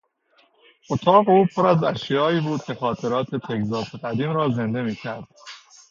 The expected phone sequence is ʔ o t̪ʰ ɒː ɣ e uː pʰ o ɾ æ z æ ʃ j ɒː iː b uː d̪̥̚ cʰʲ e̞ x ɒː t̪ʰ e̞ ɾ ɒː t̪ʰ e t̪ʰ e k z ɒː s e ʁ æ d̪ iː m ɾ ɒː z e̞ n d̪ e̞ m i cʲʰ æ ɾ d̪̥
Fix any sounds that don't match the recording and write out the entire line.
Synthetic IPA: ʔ o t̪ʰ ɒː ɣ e uː pʰ o ɾ æ z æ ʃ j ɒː iː b uː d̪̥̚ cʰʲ e̞ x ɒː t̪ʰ e̞ ɾ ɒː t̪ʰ e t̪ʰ e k z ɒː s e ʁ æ d̪ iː m ɾ ɒː z e̞ n d̪ e̞ m iː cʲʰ æ ɾ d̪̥